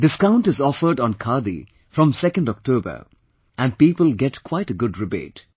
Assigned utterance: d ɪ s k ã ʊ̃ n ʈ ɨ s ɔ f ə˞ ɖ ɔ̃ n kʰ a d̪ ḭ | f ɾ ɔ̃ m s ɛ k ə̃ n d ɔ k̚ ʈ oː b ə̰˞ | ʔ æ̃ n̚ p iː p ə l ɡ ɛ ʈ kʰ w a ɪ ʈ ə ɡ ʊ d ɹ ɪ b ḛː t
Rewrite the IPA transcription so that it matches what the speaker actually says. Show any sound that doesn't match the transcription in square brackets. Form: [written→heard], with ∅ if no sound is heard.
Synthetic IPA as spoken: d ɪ s k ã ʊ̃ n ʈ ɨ [s→z] ɔ f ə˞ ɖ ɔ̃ n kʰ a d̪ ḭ | f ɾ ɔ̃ m s ɛ k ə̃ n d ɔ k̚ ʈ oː b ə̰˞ | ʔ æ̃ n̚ p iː p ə l ɡ ɛ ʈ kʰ w a ɪ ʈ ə ɡ ʊ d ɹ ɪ b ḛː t